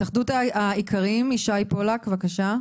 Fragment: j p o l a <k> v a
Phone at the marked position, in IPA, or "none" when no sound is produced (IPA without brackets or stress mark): k